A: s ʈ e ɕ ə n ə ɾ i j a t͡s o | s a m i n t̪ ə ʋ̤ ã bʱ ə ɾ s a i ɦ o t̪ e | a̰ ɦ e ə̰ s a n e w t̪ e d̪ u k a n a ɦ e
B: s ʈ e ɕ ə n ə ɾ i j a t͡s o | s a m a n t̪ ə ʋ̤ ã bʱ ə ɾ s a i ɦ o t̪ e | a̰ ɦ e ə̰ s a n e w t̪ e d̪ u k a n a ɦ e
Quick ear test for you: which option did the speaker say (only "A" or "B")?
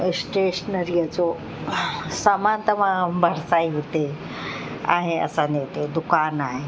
B